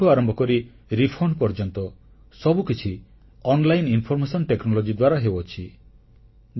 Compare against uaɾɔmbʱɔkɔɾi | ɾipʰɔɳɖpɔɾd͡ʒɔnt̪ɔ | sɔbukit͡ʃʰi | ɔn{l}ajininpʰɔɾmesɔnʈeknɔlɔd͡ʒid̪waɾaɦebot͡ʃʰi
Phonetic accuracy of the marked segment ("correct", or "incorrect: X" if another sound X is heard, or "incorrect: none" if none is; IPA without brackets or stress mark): correct